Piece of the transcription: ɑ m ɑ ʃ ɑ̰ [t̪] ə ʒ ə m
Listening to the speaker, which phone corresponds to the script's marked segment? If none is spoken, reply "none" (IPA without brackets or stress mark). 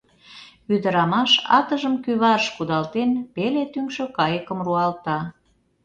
t̪